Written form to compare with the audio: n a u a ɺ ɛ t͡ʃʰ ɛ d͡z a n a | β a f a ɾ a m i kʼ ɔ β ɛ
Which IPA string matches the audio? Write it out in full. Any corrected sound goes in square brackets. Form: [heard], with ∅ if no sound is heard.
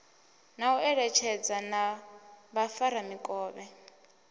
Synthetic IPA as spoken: n a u [ɛ] ɺ ɛ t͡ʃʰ ɛ d͡z a n a | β a f a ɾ a m i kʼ [ɔː] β ɛ